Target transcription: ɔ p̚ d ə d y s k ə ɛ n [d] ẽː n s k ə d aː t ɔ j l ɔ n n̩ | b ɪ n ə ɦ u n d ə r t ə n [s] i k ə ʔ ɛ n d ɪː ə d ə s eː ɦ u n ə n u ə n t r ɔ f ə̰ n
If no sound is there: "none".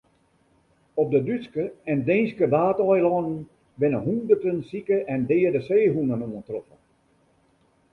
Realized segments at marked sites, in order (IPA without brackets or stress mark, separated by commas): d, s